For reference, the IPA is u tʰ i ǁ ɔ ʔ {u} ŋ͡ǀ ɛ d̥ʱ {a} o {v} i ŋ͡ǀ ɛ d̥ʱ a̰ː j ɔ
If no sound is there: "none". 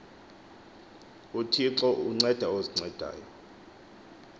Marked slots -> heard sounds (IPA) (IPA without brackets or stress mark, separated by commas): u, a, z